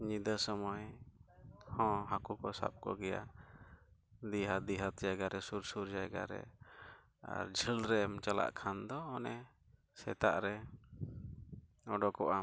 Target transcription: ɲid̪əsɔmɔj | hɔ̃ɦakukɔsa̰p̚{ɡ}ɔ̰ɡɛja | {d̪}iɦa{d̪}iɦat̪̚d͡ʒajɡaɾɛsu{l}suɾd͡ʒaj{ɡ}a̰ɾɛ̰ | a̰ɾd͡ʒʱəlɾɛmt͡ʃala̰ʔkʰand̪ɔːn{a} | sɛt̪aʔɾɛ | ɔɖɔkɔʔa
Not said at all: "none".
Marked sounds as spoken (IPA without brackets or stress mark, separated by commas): k, d̪, d̪, ɾ, ɡ, ɛ